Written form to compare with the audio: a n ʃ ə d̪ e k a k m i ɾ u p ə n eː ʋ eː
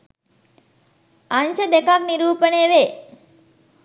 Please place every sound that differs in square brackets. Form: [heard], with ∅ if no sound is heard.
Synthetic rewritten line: a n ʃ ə d̪ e k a k [n] i ɾ [uː] p ə n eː ʋ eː